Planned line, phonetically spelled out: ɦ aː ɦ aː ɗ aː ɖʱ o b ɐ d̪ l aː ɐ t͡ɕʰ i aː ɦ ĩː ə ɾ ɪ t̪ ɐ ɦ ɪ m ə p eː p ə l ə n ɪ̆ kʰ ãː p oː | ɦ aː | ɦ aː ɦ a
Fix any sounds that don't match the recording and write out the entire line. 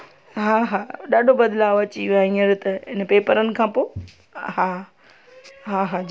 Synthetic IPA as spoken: ɦ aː ɦ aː ɗ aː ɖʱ o b ɐ d̪ l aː ɐ t͡ɕ i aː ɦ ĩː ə ɾ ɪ t̪ ɐ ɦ ɪ n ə p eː p ə ɾ ə n ɪ̆ kʰ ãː p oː | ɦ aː | ɦ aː ɦ a